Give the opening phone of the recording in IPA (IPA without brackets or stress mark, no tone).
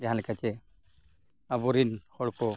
d͡ʒ